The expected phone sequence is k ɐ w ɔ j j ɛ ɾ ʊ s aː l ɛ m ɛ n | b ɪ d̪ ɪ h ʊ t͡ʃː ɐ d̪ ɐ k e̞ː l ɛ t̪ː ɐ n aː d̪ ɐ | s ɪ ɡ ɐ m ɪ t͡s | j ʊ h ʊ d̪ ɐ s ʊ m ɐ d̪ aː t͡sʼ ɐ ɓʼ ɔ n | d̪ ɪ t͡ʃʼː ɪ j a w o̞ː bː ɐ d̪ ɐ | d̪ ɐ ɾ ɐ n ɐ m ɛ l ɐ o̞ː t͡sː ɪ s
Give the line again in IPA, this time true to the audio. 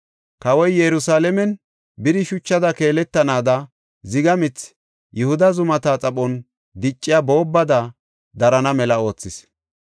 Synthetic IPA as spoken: k ɐ w ɔ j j ɛ ɾ ʊ s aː l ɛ m ɛ n | b ɪ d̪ ɪ ʃ ʊ t͡ʃː ɐ d̪ ɐ k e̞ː l ɛ t̪ː ɐ n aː d̪ ɐ | z ɪ ɡ ɐ m ɪ t͡s | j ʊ h ʊ d̪ ɐ z ʊ m ɐ t̪ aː t͡sʼ ɐ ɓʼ ɔ n | d̪ ɪ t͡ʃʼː ɪ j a b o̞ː bː ɐ d̪ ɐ | d̪ ɐ ɾ ɐ n ɐ m ɛ l ɐ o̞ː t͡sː ɪ s